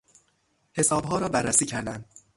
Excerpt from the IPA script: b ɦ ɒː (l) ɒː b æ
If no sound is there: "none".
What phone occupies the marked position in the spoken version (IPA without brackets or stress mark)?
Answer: ɾ